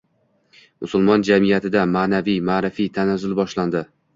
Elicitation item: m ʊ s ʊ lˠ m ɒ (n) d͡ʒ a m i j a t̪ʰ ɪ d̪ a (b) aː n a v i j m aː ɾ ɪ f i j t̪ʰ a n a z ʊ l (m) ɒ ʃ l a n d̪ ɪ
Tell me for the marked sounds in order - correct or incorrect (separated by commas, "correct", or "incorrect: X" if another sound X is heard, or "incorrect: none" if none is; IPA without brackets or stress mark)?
correct, incorrect: m, incorrect: b